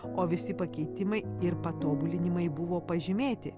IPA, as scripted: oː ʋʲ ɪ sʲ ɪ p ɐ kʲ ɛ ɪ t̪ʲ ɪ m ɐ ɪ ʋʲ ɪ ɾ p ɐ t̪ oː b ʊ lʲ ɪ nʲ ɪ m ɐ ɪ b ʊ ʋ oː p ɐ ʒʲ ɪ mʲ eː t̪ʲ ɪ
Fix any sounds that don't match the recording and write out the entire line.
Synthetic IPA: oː ʋʲ ɪ sʲ ɪ p ɐ kʲ ɛ ɪ t̪ʲ ɪ m ɐ ɪ ɪ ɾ p ɐ t̪ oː b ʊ lʲ ɪ nʲ ɪ m ɐ ɪ b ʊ ʋ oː p ɐ ʒʲ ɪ mʲ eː t̪ʲ ɪ